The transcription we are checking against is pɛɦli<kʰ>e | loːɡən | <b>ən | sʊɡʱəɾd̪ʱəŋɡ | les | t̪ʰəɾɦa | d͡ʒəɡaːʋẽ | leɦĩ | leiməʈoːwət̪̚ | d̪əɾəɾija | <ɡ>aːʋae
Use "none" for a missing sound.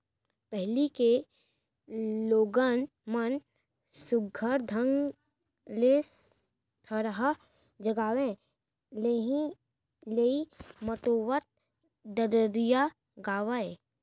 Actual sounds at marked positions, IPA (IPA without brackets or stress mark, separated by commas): k, m, ɡ